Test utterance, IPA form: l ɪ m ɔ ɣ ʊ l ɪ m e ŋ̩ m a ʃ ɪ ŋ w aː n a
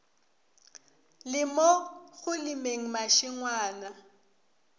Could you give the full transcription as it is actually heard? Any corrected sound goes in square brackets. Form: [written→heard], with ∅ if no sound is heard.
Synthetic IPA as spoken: l ɪ m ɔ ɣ ʊ l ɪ m e ŋ̩ m a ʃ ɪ ŋ w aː n a